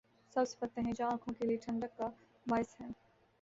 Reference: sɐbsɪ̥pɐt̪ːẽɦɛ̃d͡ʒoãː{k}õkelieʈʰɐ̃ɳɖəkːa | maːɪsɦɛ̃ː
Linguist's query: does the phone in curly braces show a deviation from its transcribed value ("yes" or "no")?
yes